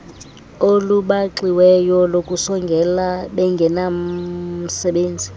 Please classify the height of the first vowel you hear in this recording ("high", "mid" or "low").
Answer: mid